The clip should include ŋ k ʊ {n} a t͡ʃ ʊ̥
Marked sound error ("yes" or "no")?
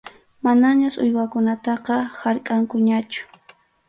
yes